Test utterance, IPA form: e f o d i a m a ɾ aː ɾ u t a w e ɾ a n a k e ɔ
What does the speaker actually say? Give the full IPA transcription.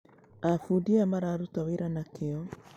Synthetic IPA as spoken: a f u d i a m a ɾ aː ɾ u t a w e ɾ a n a k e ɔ